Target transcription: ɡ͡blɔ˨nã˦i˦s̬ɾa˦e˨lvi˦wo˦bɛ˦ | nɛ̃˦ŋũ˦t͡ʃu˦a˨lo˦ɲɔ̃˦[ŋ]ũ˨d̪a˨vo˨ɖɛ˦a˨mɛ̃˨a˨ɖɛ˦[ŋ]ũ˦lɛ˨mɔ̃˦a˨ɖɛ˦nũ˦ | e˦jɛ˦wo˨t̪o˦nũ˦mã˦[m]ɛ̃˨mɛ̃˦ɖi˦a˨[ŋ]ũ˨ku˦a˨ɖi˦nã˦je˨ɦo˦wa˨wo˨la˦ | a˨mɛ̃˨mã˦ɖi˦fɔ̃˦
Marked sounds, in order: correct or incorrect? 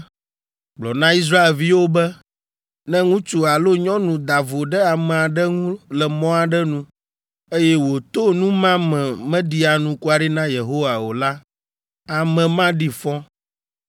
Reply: incorrect, correct, correct, incorrect

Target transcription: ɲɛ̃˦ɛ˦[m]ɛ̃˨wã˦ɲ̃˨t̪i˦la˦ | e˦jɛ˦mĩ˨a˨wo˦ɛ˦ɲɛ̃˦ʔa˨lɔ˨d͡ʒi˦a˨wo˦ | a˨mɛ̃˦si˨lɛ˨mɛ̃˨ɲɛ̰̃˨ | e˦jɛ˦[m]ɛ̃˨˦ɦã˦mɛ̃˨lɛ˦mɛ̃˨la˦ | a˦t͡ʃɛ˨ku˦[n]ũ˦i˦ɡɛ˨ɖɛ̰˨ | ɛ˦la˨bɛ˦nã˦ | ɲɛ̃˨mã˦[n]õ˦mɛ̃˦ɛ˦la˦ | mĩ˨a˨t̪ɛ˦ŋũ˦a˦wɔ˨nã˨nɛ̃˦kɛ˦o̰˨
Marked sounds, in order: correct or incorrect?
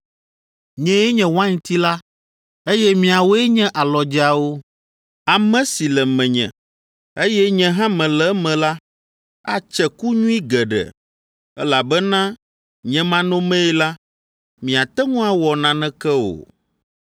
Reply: incorrect, incorrect, incorrect, correct

